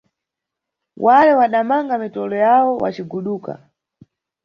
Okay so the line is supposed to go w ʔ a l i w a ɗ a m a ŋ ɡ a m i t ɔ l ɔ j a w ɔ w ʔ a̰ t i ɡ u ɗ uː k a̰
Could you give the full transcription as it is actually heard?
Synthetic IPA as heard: w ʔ a l ɛ w a ɗ a m a ŋ ɡ a m i t ɔ l ɔ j a w ɔ w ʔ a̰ t͡ʃ i ɡ u ɗ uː k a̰